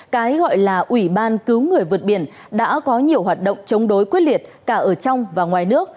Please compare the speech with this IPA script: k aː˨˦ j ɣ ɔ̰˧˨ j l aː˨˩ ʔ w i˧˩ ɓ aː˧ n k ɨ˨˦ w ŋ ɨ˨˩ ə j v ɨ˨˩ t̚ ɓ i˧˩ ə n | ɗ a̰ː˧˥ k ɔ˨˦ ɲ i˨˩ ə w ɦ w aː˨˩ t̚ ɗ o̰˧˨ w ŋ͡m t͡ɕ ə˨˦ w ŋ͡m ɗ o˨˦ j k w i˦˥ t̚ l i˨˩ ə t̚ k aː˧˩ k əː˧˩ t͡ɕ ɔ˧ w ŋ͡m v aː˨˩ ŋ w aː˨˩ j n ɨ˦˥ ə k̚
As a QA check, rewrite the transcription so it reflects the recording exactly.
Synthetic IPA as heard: k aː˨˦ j ɣ ɔ̰˧˨ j l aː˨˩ ʔ w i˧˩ ɓ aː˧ n k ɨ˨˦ w ŋ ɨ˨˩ ə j v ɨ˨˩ t̚ ɓ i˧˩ ə n | ɗ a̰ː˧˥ k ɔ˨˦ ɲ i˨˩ ə w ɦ w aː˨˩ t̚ ɗ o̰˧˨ w ŋ͡m t͡ɕ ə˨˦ w ŋ͡m ɗ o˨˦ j k w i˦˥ t̚ l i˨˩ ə t̚ k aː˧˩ ʔ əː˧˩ t͡ɕ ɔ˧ w ŋ͡m v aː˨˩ ŋ w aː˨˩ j n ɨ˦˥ ə k̚